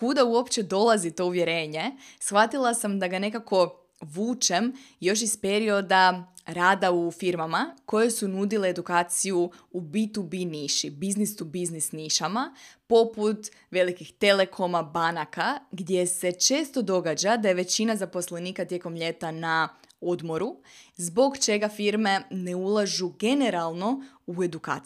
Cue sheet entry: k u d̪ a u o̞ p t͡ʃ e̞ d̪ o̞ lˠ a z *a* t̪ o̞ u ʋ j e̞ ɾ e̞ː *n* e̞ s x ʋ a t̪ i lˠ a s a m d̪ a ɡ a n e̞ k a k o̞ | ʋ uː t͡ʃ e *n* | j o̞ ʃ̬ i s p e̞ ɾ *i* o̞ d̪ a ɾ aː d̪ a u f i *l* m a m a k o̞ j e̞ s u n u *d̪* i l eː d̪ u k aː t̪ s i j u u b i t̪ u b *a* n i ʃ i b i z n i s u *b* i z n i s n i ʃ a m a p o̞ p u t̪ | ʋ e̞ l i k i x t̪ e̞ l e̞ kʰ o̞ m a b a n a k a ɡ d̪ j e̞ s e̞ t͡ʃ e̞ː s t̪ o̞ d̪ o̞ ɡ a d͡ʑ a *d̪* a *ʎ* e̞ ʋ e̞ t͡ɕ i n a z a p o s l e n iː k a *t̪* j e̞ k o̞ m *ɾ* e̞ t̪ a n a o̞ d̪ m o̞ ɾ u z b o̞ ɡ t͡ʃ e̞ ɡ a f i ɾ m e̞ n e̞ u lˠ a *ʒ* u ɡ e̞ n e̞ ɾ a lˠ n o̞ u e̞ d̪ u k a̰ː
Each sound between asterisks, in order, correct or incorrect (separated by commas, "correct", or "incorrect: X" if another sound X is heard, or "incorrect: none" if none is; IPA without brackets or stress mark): incorrect: i, incorrect: ɲ, incorrect: m, correct, incorrect: ɾ, correct, incorrect: i, correct, correct, incorrect: j, correct, incorrect: ʎ, correct